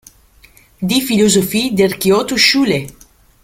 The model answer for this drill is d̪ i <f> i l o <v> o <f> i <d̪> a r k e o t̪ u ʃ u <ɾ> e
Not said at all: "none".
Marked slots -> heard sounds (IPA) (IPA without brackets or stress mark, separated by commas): f, z, f, d̪, l